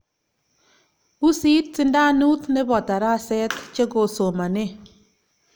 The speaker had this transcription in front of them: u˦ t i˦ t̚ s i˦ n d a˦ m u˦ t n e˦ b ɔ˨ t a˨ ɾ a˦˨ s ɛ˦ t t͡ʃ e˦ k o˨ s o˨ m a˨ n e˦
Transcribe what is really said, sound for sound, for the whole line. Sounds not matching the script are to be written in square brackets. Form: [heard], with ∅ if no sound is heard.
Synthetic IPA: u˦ [s] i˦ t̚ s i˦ n d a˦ [n] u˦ t n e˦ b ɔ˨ t a˨ ɾ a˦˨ s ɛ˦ t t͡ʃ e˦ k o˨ s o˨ m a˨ n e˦